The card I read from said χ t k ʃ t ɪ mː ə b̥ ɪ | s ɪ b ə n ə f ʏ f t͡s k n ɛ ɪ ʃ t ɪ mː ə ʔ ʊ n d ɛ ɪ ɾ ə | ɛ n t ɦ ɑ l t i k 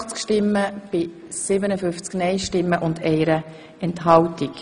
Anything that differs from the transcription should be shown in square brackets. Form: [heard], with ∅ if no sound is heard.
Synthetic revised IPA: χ [t͡s] k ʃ t ɪ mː ə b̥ ɪ | s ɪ b ə n ə f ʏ f t͡s k n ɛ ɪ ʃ t ɪ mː ə ʔ ʊ n d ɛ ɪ ɾ ə | ɛ n t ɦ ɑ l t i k